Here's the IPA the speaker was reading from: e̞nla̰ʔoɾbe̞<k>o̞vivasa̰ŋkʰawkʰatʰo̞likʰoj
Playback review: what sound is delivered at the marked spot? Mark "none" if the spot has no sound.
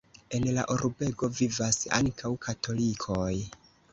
ɡ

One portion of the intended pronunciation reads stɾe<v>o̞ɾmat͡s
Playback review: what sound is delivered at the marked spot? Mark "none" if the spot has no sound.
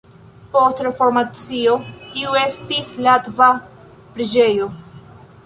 f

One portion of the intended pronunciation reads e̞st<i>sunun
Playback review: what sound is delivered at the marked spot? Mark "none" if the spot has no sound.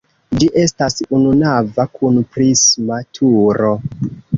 a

